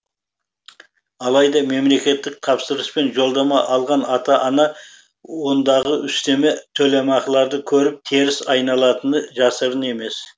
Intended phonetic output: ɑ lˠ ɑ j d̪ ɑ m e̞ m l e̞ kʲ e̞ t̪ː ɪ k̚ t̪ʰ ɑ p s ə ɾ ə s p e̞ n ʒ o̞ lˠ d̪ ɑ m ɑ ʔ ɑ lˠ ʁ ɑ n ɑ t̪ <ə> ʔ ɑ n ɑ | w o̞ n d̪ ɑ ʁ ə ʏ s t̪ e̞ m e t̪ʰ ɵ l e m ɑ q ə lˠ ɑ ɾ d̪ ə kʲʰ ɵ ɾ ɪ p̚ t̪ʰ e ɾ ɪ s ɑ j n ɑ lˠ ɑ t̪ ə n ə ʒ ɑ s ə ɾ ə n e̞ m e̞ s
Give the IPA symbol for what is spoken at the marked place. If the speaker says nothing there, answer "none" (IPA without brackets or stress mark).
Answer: ɑ